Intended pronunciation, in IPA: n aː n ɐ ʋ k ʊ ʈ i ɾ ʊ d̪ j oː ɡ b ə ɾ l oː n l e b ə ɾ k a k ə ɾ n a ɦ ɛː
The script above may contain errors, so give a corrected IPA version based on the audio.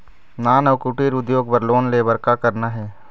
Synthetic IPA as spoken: n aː n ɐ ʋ k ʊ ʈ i ɾ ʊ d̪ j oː ɡ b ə ɾ l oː n l e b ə ɾ k a k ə ɾ n a ɦ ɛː